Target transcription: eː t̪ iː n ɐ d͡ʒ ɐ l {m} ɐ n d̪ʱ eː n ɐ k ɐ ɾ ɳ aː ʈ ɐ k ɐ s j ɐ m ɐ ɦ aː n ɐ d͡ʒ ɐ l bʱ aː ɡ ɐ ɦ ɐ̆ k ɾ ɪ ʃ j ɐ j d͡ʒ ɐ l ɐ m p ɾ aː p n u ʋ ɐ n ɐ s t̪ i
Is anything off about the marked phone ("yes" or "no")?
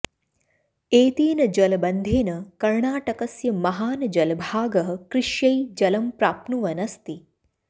yes